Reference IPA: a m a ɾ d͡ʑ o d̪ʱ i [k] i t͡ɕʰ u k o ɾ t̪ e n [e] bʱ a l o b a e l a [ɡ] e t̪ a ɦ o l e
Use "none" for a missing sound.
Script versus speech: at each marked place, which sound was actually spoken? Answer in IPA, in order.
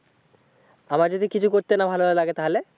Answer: k, a, ɡ

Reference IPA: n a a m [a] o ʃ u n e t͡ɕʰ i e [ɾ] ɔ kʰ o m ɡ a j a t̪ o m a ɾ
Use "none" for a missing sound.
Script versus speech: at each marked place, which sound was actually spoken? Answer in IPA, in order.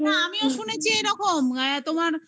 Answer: i, ɾ

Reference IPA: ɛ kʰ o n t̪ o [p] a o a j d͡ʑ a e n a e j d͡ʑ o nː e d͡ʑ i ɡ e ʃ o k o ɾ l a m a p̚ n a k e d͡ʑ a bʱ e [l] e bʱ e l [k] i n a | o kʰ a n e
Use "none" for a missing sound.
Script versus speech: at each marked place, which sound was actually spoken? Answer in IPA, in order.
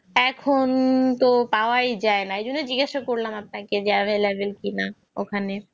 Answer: p, l, k

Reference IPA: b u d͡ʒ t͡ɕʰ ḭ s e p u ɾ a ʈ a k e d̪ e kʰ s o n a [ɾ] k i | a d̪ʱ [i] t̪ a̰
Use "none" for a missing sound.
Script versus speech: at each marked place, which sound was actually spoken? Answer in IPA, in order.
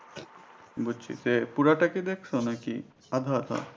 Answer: none, a

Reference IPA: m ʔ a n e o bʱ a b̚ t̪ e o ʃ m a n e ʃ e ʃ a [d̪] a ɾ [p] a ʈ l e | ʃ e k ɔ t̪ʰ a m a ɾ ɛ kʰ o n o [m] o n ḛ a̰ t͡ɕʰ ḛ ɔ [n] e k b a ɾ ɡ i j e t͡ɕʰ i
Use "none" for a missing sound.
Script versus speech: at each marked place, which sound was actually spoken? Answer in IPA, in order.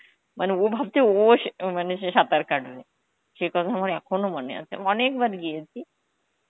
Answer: t̪, k, m, n

